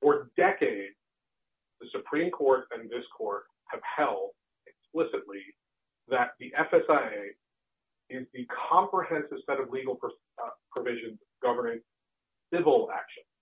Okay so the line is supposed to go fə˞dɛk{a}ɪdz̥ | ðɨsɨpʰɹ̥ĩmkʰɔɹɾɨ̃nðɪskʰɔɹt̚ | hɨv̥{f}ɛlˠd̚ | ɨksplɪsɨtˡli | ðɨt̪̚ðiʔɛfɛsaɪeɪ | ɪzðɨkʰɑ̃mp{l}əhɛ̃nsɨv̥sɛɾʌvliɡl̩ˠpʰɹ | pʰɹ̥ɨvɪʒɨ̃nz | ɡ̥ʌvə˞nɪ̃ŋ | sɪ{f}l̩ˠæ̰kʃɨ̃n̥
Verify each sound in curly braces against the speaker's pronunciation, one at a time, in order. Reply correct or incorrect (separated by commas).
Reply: incorrect, incorrect, incorrect, incorrect